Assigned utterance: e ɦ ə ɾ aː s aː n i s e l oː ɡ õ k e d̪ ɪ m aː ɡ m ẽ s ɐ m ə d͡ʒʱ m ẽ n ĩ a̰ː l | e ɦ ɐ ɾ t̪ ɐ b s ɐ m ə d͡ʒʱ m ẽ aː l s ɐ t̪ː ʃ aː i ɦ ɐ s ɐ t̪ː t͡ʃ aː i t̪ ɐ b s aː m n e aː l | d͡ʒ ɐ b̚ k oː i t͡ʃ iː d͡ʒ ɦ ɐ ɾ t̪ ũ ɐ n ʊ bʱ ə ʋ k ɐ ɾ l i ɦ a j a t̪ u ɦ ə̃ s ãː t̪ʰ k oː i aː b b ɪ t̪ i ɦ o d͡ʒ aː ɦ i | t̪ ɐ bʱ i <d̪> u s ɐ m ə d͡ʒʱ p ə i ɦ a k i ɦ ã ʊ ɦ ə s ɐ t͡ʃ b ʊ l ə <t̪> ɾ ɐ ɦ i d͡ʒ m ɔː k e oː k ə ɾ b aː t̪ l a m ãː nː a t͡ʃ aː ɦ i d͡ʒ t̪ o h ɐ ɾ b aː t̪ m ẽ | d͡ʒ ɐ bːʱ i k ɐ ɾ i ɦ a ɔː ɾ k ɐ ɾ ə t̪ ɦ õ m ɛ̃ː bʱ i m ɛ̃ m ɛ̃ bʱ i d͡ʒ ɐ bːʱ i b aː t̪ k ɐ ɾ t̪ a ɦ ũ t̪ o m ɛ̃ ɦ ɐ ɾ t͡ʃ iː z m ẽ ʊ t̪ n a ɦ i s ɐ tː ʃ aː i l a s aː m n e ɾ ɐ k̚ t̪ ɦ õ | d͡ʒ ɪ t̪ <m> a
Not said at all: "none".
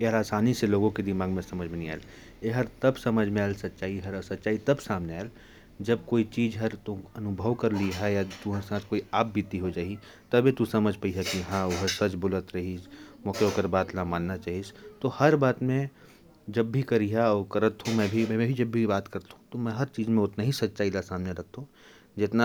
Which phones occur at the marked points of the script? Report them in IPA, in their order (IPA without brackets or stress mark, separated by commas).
t̪, t̪, n